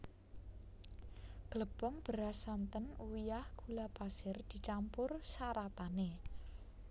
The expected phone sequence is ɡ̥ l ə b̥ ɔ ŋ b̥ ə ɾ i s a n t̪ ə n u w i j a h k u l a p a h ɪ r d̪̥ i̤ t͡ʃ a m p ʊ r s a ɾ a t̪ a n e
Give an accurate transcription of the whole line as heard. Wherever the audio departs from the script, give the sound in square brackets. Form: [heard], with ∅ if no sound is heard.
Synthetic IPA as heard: ɡ̥ l ə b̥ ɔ ŋ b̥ ə ɾ [a] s a n t̪ ə n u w i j a h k u l a p a [s] ɪ r d̪̥ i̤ t͡ʃ a m p ʊ r s a ɾ a t̪ a n e

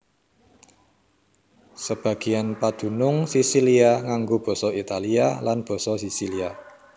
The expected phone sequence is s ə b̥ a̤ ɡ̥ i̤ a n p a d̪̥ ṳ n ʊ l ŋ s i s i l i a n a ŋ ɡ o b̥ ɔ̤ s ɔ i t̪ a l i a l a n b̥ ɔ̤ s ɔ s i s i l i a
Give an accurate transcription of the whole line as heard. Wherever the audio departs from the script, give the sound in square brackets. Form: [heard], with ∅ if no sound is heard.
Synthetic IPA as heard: s ə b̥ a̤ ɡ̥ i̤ a n p a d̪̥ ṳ n ʊ [∅] ŋ s i s i l i a [ŋ] a ŋ ɡ o b̥ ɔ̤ s ɔ i t̪ a l i a l a n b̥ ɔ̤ s ɔ s i s i l i a

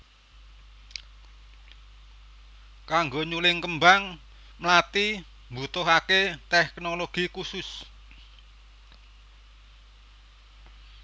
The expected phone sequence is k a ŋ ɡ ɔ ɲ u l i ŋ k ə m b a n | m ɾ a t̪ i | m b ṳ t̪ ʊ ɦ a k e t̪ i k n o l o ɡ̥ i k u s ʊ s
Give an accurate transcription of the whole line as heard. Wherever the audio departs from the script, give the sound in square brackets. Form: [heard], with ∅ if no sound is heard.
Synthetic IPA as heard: k a ŋ ɡ [o] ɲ u l [ɪ] ŋ k ə m b a [ŋ] | m [l] a t̪ i | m b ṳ t̪ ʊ ɦ a k e t̪ [ɛ] k n o l o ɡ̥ i k u s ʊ s

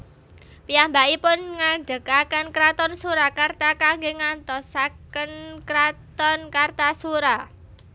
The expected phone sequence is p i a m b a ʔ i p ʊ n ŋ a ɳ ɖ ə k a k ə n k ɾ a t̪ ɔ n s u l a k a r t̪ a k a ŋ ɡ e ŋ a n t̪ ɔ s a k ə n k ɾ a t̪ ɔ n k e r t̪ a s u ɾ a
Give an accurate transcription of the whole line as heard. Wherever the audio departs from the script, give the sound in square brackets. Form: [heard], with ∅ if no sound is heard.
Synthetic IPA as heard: p i a m b a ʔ i p ʊ n ŋ a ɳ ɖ ə k a k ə n k ɾ a t̪ ɔ n s u [ɾ] a k a r t̪ a k a ŋ ɡ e ŋ a n t̪ ɔ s a k ə n k ɾ a t̪ ɔ n k [a] r t̪ a s u ɾ a

